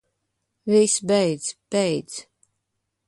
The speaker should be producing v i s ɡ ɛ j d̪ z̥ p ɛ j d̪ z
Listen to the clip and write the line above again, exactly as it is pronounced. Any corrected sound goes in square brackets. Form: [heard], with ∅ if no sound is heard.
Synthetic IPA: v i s [b] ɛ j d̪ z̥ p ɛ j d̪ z